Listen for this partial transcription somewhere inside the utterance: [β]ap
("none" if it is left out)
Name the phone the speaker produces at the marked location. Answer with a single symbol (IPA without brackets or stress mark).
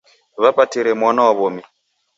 β